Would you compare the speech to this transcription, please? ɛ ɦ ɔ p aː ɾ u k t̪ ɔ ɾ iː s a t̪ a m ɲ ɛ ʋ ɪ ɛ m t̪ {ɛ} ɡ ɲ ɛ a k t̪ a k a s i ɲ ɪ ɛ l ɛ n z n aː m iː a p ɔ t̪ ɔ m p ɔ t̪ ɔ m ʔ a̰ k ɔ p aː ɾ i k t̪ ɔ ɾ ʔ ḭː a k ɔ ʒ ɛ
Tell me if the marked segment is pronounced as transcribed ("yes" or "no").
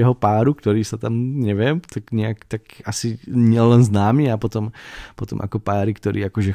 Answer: no